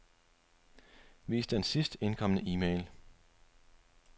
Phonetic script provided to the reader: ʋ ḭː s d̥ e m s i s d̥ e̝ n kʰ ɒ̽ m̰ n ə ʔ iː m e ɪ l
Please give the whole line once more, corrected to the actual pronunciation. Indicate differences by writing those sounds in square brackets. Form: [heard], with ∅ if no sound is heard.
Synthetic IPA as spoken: ʋ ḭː s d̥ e [n] s i s d̥ e̝ n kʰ ɒ̽ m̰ n ə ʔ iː m e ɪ l